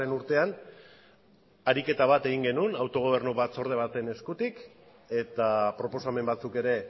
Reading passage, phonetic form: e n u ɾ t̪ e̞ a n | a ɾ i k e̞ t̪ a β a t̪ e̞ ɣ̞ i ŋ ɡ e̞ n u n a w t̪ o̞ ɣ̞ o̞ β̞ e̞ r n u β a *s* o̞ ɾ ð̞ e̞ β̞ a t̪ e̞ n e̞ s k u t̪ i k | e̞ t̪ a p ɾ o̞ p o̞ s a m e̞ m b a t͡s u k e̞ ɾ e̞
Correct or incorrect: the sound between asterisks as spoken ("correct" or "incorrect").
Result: incorrect